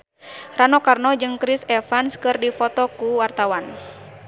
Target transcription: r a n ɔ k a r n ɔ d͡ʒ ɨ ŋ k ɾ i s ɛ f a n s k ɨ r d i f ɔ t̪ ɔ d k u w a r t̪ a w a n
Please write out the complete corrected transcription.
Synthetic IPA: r a n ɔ k a r n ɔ d͡ʒ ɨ ŋ k ɾ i s ɛ f a n s k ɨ r d i f ɔ t̪ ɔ k u w a r t̪ a w a n